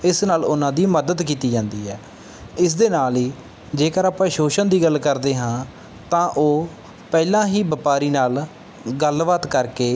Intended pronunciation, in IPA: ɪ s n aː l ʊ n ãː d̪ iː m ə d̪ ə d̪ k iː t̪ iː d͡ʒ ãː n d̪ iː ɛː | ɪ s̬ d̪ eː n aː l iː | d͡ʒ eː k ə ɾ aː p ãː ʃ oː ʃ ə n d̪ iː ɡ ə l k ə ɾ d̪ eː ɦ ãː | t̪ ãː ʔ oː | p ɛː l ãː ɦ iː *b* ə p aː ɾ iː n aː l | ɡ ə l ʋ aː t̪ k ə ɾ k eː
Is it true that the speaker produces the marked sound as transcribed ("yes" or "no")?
yes